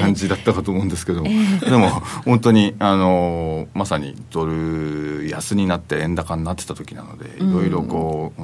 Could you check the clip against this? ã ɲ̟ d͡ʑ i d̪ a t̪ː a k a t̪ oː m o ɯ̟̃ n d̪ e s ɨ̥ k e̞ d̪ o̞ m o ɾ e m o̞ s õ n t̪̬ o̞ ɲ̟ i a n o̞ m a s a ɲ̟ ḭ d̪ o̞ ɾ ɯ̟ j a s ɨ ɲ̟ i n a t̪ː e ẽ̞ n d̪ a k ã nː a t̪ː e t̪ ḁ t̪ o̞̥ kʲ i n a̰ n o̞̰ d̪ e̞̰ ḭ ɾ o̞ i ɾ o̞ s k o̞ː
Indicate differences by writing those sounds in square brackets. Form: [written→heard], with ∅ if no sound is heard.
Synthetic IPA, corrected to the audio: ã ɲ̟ d͡ʑ i d̪ a t̪ː a k a t̪ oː m o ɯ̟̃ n d̪ e s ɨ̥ k e̞ d̪ o̞ m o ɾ e m o̞ [s→h] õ n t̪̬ o̞ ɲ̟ i a n o̞ m a s a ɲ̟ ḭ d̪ o̞ ɾ ɯ̟ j a s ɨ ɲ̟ i n a t̪ː e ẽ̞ n d̪ a k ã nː a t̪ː e t̪ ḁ t̪ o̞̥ kʲ i n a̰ n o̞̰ d̪ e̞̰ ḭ ɾ o̞ i ɾ o̞ [s→∅] k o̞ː